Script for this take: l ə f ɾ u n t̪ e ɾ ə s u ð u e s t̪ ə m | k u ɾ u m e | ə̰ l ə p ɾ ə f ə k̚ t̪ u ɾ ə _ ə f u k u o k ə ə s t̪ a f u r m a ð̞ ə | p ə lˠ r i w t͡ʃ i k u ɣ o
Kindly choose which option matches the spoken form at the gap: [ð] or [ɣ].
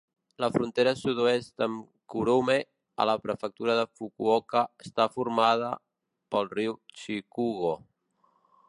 ð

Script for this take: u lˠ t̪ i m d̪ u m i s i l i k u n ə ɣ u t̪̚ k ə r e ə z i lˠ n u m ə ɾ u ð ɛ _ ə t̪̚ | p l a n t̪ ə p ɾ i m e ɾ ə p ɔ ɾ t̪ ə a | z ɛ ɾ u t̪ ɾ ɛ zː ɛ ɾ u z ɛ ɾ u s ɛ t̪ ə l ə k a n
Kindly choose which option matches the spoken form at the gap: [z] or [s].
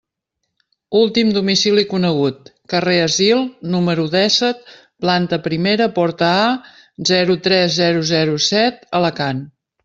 s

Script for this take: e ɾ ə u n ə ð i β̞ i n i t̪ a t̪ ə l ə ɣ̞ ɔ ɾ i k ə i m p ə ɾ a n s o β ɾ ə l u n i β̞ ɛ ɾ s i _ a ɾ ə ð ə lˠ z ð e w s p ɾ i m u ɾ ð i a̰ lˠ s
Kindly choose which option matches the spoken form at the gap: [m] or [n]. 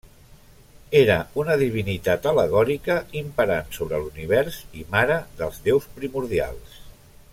m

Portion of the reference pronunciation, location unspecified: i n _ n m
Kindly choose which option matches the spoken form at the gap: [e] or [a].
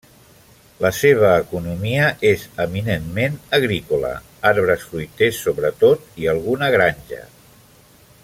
e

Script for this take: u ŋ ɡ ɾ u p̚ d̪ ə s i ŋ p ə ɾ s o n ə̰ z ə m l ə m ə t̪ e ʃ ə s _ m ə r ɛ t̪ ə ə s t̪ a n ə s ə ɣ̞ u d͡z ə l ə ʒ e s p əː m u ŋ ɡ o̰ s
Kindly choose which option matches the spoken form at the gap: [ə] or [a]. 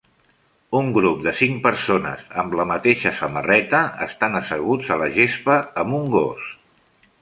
ə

